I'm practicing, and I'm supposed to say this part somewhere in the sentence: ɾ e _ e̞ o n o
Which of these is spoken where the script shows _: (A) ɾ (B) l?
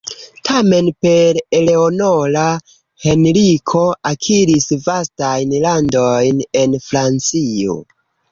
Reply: B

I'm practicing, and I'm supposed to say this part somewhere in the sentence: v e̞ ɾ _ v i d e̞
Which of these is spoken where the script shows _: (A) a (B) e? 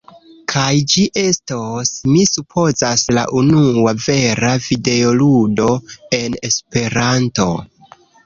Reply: A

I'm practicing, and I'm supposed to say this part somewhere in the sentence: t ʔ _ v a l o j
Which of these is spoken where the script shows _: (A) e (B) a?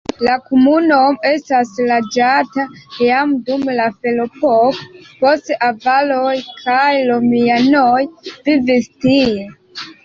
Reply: B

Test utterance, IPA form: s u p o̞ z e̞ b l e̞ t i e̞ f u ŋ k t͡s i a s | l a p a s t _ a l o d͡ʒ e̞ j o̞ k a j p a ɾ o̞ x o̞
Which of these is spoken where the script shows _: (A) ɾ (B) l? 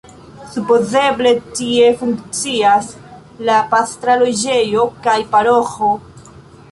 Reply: A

